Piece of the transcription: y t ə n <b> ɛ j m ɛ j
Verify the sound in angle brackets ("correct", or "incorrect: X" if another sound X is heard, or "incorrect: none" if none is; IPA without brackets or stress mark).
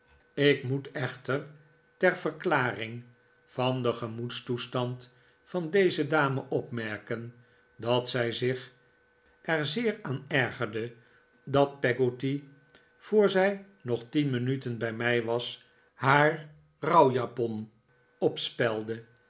correct